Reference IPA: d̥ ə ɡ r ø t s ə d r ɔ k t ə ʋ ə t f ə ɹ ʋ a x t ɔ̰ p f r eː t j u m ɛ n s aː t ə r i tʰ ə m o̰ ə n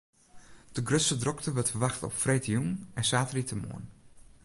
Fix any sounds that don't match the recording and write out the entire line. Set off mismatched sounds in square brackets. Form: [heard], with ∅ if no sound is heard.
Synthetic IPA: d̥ ə ɡ r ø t s ə d r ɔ k t ə ʋ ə t f ə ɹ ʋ a x t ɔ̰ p f r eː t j u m ɛ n s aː t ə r i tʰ ə m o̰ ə n